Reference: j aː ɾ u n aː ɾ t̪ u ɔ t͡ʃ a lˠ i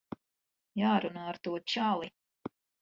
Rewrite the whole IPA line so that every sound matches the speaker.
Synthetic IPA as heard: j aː ɾ u n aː ɾ t̪ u ɔ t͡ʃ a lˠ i